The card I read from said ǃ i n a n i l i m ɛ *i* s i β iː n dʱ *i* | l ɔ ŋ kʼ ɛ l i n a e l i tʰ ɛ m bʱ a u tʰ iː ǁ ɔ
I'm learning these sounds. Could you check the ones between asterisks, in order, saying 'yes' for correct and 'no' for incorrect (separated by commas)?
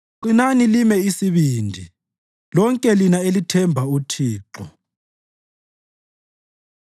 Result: yes, yes